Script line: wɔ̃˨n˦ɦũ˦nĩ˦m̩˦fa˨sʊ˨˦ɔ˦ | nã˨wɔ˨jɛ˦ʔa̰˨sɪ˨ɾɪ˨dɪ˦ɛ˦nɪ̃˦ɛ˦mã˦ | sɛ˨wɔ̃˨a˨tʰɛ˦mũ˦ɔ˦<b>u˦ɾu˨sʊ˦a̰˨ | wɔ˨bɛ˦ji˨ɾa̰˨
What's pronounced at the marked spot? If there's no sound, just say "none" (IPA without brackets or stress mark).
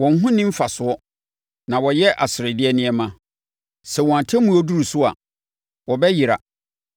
d